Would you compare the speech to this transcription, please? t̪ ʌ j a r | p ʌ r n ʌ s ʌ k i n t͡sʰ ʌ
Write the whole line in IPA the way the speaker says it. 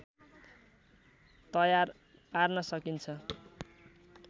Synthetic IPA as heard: t̪ ʌ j a r | p a r n ʌ s ʌ k i n t͡sʰ ʌ